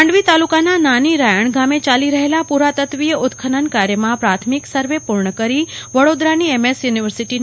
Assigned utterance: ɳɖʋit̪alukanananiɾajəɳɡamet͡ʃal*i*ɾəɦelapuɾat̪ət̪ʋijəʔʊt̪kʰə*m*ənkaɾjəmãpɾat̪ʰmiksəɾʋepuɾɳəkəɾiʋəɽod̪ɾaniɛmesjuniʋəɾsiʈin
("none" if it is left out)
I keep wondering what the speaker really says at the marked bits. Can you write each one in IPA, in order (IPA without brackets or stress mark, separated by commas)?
i, n